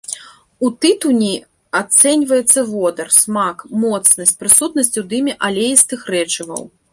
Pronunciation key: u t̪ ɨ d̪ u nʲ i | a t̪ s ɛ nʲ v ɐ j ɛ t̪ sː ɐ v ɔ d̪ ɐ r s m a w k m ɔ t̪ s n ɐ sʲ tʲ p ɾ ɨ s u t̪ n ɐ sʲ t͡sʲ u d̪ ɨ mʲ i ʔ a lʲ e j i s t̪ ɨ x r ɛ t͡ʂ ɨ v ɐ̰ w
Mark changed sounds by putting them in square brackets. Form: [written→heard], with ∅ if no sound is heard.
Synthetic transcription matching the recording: u t̪ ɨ [d̪→t̪] u nʲ i | a t̪ s ɛ nʲ v ɐ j ɛ t̪ sː ɐ v ɔ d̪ ɐ r s m a [w→∅] k m ɔ t̪ s n ɐ sʲ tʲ p ɾ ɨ s u t̪ n ɐ sʲ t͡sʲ u d̪ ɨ mʲ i ʔ a lʲ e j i s t̪ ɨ x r ɛ t͡ʂ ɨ v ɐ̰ w

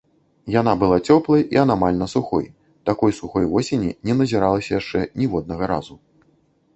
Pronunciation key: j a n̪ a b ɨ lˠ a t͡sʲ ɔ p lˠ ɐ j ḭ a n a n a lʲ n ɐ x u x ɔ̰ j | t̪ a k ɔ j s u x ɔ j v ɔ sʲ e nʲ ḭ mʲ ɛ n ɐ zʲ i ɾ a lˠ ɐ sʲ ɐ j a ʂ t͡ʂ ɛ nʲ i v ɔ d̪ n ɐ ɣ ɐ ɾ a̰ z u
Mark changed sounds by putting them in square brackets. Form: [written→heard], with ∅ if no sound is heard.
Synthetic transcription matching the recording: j a n̪ a b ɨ lˠ a t͡sʲ ɔ p lˠ ɐ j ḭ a n a [n→m] a lʲ n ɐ [x→s] u x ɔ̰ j | t̪ a k ɔ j s u x ɔ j v ɔ sʲ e nʲ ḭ [mʲ→nʲ] ɛ n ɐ zʲ i ɾ a lˠ ɐ sʲ ɐ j a ʂ t͡ʂ ɛ nʲ i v ɔ d̪ n ɐ ɣ ɐ ɾ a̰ z u

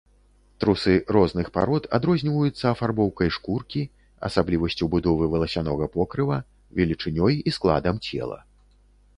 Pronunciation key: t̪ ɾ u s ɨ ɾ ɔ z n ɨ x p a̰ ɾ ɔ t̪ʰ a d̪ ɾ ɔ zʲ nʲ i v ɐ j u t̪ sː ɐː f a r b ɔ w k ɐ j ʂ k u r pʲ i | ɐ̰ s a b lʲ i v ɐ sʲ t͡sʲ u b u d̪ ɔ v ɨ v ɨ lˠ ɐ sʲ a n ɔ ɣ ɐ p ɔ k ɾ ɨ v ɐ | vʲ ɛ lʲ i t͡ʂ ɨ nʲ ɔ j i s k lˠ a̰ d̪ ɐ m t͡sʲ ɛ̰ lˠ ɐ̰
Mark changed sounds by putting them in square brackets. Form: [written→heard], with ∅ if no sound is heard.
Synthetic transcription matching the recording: t̪ ɾ u s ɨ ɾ ɔ z n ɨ x p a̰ ɾ ɔ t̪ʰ a d̪ ɾ ɔ zʲ nʲ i v ɐ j u t̪ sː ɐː f a r b ɔ w k ɐ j ʂ k u r [pʲ→kʲ] i | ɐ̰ s a b lʲ i v ɐ sʲ t͡sʲ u b u d̪ ɔ v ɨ v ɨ lˠ ɐ sʲ a n ɔ ɣ ɐ p ɔ k ɾ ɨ v ɐ | vʲ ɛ lʲ i t͡ʂ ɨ nʲ ɔ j i s k lˠ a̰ d̪ ɐ m t͡sʲ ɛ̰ lˠ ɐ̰

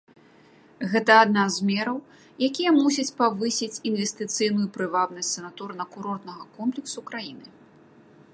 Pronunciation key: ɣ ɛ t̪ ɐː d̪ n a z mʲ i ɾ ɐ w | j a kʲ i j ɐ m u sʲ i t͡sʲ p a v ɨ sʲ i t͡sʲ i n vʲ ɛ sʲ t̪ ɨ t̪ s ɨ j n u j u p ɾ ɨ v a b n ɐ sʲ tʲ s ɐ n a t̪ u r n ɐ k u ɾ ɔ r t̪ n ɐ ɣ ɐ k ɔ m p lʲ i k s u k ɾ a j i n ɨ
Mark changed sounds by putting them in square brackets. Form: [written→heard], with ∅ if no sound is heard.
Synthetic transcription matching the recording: ɣ ɛ t̪ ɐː d̪ n a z mʲ [i→ɛ] ɾ ɐ w | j a kʲ i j ɐ m u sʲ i t͡sʲ p a v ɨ sʲ i t͡sʲ i n vʲ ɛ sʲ t̪ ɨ t̪ s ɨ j n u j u p ɾ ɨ v a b n ɐ sʲ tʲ s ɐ n a t̪ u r n ɐ k u ɾ ɔ r t̪ n ɐ ɣ ɐ k ɔ m p lʲ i k s u k ɾ a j i n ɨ

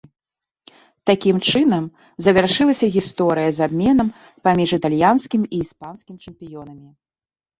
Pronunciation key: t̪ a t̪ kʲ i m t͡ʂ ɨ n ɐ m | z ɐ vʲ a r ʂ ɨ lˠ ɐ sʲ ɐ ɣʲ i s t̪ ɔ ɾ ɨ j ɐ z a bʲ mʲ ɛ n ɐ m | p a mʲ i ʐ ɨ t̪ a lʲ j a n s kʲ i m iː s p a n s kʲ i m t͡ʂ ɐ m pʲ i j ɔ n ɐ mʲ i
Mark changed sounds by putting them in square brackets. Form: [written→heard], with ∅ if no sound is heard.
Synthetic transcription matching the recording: t̪ a [t̪→∅] kʲ i m t͡ʂ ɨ n ɐ m | z ɐ vʲ a r ʂ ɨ lˠ ɐ sʲ ɐ ɣʲ i s t̪ ɔ ɾ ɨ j ɐ z a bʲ mʲ ɛ n ɐ m | p a mʲ i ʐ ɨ t̪ a lʲ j a n s kʲ i m iː s p a n s kʲ i m t͡ʂ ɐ m pʲ i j ɔ n ɐ mʲ i

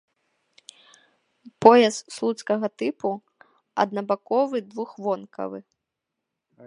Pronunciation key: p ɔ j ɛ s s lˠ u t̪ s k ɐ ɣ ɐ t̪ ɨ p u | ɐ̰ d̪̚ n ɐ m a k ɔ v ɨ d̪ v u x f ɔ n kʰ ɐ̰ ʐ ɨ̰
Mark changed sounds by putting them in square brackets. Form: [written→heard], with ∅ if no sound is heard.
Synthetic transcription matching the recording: p ɔ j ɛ s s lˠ u t̪ s k ɐ ɣ ɐ t̪ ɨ p u | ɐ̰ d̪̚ n ɐ [m→b] a k ɔ v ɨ d̪ v u x [f→v] ɔ n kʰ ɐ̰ [ʐ→v] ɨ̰

